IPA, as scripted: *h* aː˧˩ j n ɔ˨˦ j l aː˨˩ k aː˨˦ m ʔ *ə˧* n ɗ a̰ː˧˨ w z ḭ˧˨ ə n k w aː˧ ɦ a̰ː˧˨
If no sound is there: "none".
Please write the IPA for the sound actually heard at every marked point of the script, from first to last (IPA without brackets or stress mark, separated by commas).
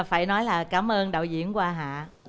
f, əː˧